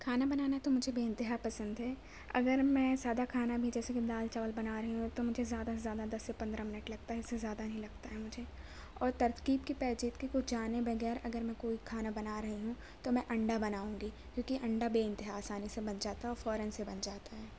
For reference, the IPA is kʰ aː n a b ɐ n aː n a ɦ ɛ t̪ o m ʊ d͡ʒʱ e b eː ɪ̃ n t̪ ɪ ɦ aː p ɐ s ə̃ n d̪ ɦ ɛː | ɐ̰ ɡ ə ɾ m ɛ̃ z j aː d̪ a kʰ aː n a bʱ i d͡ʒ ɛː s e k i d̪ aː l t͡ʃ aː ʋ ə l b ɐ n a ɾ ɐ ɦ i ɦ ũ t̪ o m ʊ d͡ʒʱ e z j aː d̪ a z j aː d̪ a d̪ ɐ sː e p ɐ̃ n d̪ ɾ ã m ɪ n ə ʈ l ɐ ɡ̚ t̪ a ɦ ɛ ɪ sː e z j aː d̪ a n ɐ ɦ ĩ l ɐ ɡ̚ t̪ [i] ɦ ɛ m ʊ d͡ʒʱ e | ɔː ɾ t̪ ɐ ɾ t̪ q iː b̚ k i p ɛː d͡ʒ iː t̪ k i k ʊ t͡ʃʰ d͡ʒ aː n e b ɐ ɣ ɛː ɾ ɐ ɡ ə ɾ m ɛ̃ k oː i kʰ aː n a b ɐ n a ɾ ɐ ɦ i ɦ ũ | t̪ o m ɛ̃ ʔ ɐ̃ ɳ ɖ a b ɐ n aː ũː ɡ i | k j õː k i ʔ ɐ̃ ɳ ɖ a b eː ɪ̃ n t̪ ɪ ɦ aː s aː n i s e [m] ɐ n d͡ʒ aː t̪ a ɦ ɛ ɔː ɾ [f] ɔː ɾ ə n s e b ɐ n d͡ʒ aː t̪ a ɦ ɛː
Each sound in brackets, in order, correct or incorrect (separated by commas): incorrect, incorrect, correct